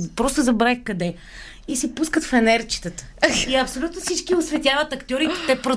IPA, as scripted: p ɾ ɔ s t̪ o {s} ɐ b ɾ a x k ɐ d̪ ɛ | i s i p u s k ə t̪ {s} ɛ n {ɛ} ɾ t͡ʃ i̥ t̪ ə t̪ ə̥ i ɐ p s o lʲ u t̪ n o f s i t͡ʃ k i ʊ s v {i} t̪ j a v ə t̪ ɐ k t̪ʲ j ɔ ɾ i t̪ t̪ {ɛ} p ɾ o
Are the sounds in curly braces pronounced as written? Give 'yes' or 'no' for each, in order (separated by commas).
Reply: no, no, yes, no, yes